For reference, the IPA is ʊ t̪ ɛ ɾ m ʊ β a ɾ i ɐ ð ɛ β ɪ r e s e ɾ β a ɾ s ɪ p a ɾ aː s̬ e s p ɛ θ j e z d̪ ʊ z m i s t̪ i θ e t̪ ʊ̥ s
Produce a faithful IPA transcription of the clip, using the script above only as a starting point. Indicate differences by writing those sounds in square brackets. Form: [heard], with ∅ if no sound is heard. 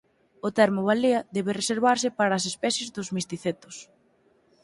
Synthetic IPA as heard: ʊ t̪ ɛ ɾ m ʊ β a [l] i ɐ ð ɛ β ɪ r e s e ɾ β a ɾ s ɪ p a ɾ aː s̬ e s p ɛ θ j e z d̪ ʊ z m i s t̪ i θ e t̪ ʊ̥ s